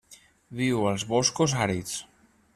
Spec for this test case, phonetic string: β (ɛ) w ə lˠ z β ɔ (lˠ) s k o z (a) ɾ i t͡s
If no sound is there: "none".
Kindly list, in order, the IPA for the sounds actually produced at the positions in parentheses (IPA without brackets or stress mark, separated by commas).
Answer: i, none, a